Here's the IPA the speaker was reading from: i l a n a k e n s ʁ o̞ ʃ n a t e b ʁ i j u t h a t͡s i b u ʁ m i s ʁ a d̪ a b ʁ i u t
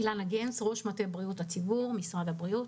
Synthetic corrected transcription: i l a n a ɡ e n s ʁ o̞ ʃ m a t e b ʁ i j u t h a t͡s i b u ʁ m i s ʁ a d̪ a b ʁ i u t